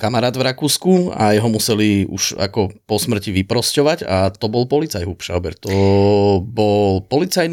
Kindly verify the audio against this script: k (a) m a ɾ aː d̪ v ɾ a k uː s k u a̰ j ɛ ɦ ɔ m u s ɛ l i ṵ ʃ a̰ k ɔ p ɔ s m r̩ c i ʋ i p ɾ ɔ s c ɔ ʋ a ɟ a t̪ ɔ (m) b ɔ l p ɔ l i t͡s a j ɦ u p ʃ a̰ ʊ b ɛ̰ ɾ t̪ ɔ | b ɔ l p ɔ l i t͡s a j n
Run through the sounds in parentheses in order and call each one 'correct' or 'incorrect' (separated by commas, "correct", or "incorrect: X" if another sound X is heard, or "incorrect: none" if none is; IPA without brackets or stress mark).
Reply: correct, incorrect: none